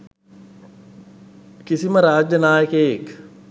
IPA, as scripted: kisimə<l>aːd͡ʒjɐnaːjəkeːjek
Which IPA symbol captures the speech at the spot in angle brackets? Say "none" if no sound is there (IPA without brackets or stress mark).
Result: ɾ